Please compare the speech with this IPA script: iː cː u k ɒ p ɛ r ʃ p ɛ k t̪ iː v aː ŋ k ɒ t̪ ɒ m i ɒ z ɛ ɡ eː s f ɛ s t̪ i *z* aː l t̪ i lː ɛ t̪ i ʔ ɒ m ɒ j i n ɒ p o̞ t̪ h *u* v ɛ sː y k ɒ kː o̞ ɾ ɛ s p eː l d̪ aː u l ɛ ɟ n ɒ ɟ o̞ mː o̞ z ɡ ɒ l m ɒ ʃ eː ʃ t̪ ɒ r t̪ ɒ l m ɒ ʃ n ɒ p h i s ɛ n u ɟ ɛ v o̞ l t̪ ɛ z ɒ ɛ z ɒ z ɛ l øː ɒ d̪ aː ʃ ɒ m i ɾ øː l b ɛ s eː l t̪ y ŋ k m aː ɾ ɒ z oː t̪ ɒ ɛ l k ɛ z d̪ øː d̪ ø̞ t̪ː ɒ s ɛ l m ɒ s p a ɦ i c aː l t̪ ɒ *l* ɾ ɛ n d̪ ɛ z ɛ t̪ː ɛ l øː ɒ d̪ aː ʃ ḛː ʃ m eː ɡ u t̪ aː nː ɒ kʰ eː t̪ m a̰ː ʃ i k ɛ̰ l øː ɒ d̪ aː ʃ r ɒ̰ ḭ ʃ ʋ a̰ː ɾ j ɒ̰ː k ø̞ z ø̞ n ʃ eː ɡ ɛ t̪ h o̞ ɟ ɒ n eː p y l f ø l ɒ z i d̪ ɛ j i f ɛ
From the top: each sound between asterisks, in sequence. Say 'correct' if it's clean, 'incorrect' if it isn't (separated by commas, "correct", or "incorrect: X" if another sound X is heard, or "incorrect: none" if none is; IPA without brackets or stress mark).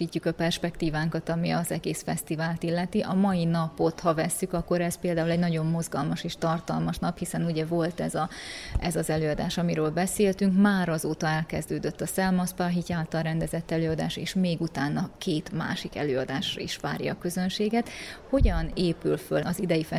incorrect: v, incorrect: ɒ, correct